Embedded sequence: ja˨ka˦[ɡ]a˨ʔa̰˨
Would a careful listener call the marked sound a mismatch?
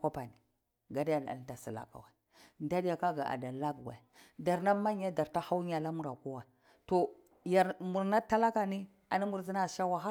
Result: no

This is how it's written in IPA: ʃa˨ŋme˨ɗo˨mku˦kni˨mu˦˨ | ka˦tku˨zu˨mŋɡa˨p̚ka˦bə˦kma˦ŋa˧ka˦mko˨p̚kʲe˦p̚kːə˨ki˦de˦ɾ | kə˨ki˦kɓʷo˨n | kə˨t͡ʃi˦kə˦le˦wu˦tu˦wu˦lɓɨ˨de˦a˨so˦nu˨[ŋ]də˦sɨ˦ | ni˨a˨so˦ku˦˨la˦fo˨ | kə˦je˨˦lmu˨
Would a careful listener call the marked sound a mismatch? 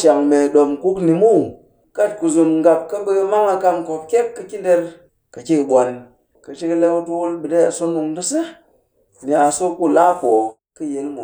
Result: no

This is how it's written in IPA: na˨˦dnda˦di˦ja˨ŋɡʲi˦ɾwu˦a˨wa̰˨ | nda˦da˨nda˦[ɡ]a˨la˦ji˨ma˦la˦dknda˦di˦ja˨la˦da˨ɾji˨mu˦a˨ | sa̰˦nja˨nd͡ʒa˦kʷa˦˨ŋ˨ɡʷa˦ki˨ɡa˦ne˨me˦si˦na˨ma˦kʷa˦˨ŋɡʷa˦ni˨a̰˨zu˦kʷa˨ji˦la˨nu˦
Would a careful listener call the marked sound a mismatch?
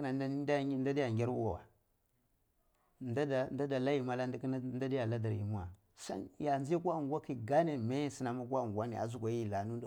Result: yes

